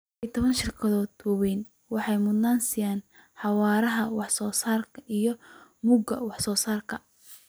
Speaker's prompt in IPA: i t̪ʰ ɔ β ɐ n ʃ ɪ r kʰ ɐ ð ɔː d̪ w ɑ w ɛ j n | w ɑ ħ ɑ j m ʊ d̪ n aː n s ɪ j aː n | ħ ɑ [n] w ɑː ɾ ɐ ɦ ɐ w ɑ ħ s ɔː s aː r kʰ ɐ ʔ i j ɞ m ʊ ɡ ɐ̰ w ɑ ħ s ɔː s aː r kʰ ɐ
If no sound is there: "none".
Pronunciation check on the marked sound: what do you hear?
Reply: none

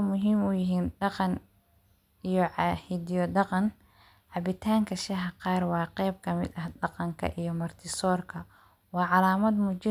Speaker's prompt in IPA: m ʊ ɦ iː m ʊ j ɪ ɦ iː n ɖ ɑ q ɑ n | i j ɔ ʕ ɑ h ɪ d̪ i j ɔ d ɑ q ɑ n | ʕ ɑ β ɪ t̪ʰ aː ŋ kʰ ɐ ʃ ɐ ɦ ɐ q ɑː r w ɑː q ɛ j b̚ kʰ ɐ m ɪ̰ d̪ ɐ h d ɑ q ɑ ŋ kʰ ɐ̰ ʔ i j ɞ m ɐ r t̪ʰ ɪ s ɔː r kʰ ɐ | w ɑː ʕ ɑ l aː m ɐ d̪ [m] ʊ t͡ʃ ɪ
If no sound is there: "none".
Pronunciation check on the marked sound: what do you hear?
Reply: m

